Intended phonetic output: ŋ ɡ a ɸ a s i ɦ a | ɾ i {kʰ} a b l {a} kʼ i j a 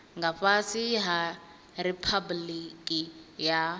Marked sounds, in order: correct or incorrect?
incorrect: pʰ, incorrect: i

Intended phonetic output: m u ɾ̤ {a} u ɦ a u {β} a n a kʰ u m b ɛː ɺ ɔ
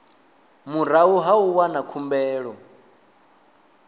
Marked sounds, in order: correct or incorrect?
correct, incorrect: w

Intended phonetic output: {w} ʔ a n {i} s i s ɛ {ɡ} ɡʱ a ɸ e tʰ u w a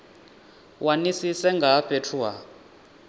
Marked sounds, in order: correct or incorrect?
correct, correct, incorrect: ŋ

